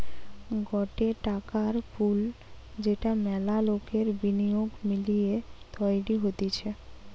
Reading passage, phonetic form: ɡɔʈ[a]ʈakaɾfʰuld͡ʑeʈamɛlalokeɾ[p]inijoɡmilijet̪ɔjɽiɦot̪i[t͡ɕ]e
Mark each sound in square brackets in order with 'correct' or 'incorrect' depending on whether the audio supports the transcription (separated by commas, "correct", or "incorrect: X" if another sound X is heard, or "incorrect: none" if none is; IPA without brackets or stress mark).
incorrect: e, incorrect: b, incorrect: t͡ɕʰ